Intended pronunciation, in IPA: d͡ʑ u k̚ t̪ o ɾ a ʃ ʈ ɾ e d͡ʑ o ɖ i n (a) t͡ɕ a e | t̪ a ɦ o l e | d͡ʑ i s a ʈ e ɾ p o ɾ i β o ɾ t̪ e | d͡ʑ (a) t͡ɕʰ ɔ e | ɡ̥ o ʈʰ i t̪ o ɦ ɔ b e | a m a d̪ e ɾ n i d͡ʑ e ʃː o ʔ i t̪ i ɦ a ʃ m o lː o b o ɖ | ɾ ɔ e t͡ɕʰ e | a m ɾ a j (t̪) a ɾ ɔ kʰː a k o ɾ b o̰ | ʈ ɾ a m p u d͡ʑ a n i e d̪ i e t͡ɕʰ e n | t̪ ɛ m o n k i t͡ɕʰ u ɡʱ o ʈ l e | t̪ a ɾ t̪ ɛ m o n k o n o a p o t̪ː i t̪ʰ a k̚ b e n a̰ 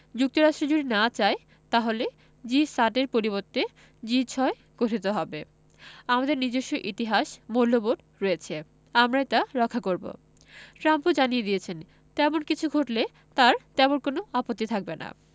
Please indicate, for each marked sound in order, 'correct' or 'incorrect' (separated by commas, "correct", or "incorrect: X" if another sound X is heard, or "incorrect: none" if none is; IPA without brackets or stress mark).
correct, incorrect: i, correct